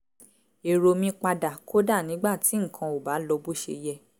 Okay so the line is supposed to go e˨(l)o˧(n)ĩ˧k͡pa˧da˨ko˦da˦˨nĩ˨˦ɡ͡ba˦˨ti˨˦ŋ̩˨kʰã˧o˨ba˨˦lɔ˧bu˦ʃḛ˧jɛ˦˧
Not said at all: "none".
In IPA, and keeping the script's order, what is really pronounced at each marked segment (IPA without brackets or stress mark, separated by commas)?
ɾ, m